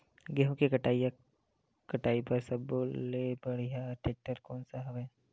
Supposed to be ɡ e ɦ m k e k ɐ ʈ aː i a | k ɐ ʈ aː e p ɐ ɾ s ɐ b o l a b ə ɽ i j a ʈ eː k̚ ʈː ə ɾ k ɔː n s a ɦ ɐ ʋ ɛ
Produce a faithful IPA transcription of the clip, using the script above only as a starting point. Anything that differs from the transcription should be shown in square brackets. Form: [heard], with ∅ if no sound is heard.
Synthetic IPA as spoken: ɡ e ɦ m k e k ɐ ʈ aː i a | k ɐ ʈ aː [i] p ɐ ɾ s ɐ b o l [e] b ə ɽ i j a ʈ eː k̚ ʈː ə ɾ k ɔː n s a ɦ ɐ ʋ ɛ